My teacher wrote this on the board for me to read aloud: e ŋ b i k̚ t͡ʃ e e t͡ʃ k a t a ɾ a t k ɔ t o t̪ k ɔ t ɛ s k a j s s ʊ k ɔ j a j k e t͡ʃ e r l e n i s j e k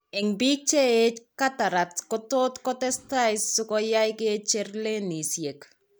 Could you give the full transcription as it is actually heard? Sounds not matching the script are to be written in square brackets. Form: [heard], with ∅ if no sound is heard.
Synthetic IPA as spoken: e ŋ b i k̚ t͡ʃ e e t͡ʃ k a t a ɾ a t k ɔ t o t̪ k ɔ t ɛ s [t] a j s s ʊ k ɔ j a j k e t͡ʃ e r l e n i s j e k